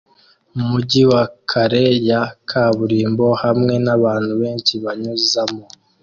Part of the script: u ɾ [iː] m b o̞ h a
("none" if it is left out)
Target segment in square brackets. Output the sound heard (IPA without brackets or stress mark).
iː